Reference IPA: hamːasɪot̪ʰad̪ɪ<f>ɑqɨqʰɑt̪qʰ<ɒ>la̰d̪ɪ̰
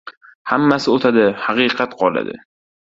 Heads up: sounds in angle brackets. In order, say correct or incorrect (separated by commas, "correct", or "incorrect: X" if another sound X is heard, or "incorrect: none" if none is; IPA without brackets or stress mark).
incorrect: h, correct